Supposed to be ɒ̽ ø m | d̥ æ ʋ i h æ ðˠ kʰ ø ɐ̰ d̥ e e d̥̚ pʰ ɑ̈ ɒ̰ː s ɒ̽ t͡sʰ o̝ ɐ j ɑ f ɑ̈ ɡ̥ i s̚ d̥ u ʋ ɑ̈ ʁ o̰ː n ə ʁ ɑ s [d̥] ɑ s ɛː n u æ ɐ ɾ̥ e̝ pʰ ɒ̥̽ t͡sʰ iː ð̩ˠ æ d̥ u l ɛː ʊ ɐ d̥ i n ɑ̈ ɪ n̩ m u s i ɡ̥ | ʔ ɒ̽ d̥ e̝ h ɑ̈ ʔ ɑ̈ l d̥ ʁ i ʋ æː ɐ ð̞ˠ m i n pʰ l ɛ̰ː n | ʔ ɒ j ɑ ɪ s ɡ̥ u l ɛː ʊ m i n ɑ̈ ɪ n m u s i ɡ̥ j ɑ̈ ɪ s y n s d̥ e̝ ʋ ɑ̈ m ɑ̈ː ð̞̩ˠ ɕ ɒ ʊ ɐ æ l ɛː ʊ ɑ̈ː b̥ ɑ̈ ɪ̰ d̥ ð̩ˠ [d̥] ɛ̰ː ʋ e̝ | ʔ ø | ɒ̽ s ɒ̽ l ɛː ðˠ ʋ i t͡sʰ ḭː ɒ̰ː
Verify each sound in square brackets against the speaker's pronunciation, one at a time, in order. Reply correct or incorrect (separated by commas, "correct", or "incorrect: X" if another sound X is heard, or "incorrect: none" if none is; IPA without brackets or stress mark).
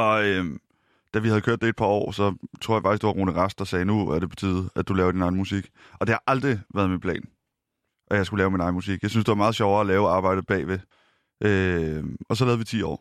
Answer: correct, incorrect: b̥